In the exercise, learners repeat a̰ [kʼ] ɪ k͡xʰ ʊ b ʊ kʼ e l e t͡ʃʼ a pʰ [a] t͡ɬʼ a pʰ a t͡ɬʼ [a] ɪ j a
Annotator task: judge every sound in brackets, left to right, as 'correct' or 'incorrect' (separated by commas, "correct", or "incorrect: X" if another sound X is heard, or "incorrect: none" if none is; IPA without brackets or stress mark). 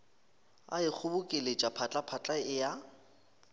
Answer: incorrect: none, correct, correct